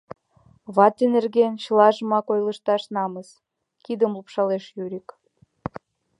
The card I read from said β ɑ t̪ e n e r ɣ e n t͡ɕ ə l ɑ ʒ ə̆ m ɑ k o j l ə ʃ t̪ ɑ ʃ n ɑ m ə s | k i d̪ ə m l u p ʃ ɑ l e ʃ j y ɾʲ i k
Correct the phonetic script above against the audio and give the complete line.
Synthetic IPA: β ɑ t̪ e n e r ɣ e n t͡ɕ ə l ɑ ʒ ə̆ m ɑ k o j l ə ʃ t̪ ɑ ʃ n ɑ m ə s | k i d̪ ə m l u p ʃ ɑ l e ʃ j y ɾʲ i k